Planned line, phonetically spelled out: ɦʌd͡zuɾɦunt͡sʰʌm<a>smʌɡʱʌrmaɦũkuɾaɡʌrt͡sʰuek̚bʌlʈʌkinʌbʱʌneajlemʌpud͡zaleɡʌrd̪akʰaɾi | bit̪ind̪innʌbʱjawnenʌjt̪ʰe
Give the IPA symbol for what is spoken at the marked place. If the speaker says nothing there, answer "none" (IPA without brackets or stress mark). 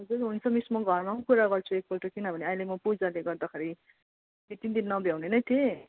i